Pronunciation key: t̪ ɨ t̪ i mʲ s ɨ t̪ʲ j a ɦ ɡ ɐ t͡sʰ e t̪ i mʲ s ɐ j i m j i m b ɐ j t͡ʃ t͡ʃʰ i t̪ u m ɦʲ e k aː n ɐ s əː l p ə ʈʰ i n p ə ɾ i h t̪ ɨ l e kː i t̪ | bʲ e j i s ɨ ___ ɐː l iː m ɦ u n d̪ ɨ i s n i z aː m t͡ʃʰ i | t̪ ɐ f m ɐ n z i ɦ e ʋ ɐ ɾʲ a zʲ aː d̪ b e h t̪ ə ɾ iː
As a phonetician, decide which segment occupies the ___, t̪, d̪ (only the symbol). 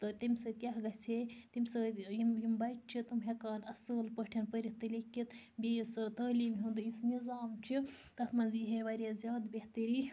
t̪